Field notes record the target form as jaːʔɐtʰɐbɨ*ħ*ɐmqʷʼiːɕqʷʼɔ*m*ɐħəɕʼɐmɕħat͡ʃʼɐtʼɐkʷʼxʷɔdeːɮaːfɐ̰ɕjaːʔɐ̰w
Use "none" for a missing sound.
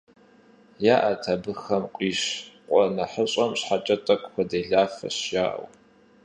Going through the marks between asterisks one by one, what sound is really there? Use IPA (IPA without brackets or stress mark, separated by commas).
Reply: x, n